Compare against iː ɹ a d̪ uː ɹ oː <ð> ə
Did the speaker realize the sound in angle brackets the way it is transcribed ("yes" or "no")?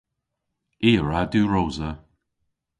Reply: no